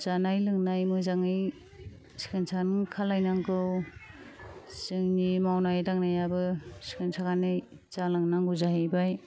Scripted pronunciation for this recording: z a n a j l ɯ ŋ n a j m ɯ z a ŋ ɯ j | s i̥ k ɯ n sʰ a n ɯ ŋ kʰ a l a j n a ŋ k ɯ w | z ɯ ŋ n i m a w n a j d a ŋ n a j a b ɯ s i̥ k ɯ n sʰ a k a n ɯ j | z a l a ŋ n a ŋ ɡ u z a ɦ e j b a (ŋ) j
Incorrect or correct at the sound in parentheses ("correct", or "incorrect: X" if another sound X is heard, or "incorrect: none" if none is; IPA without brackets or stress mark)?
incorrect: none